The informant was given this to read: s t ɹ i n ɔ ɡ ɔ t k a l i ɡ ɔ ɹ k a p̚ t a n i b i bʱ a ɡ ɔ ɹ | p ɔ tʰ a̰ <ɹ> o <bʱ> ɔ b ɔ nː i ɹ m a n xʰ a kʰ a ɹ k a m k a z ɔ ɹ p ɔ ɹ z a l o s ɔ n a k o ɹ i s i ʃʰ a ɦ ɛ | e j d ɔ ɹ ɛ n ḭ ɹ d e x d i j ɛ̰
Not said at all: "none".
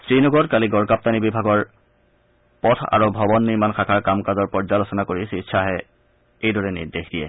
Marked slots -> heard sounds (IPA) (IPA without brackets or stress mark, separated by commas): ɹ, bʱ